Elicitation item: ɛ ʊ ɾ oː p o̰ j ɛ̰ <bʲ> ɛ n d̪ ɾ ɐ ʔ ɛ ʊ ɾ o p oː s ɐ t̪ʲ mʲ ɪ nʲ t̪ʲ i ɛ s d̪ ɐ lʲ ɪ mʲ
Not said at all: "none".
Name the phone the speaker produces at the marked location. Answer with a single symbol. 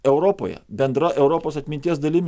bʲ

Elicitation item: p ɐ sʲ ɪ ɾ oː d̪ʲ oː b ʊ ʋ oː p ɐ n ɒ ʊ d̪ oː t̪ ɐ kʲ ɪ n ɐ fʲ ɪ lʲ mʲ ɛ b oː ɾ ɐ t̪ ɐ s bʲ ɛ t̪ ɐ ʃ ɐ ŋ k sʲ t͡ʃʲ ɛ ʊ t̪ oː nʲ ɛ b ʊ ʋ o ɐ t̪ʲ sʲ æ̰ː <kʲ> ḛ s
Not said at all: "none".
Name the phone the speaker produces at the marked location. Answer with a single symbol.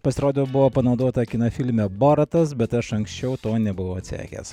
kʲ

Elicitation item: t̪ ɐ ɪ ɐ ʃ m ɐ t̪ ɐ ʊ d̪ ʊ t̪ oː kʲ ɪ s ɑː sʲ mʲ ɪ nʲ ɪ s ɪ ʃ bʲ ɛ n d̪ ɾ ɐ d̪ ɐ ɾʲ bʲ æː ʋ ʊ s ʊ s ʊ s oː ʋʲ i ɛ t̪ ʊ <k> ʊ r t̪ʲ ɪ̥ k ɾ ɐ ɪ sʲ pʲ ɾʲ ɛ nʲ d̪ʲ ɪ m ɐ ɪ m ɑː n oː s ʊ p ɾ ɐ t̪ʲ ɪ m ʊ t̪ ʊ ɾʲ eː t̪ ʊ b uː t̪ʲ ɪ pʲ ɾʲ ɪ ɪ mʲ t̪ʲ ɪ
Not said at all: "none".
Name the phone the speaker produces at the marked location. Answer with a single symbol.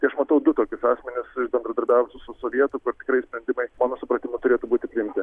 k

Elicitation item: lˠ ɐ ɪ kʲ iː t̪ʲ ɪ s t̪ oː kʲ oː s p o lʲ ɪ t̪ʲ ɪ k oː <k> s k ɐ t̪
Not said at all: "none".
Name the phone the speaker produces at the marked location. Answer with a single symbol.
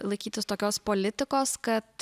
none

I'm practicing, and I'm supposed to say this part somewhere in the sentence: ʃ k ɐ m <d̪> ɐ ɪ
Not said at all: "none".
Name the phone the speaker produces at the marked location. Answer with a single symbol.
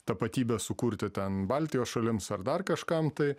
t̪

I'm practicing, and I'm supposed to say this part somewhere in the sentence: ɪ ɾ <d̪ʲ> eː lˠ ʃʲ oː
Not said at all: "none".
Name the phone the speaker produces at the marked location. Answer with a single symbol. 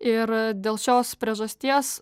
d̪ʲ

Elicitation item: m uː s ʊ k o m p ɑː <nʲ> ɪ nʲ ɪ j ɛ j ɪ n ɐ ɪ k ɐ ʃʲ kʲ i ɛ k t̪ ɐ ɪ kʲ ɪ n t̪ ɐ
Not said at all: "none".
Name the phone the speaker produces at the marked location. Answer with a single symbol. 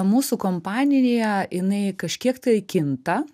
nʲ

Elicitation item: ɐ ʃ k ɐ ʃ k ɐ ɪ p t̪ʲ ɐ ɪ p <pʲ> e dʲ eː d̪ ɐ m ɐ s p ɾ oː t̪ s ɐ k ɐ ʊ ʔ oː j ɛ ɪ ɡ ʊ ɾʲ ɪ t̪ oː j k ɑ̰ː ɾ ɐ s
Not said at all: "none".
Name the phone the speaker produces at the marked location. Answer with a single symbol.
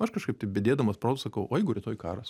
bʲ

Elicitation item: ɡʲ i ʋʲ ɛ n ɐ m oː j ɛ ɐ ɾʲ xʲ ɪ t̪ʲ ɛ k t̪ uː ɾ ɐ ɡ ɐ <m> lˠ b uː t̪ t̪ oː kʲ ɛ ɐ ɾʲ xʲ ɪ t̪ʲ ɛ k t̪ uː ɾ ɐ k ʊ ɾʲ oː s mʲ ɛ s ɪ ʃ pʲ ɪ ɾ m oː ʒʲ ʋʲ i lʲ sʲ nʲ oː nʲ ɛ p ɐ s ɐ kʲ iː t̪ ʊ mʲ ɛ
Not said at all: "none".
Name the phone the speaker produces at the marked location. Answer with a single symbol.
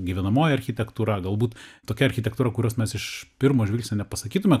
none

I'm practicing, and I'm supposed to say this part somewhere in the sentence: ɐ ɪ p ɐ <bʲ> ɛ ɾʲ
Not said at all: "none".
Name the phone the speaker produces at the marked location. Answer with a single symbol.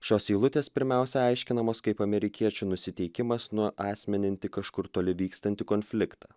mʲ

